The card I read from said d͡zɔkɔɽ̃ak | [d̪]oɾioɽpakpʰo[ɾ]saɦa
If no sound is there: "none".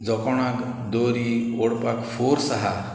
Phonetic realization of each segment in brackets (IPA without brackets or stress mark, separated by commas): d̪, ɾ